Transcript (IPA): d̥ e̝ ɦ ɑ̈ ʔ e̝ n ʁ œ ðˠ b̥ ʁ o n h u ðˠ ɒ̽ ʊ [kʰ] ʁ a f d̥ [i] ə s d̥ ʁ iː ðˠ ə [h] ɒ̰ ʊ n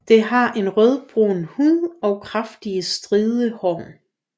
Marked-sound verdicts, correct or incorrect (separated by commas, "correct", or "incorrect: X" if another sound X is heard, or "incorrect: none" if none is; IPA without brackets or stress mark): correct, correct, correct